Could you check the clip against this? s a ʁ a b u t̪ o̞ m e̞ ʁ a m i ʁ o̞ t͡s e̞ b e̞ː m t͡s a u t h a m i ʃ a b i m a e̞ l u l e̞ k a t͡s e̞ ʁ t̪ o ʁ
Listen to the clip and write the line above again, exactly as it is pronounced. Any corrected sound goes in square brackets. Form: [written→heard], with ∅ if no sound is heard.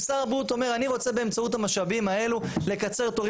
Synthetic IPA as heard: s a ʁ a b u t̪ o̞ m e̞ ʁ a [m→n] i ʁ o̞ t͡s e̞ b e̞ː m t͡s a u t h a m [i→a] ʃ a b i m a e̞ l u l e̞ k a t͡s e̞ ʁ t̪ o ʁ